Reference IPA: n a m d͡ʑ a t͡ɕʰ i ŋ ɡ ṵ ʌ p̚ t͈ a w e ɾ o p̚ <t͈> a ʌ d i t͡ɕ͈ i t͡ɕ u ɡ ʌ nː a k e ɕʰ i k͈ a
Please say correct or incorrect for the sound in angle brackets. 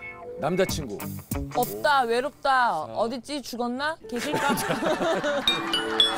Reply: correct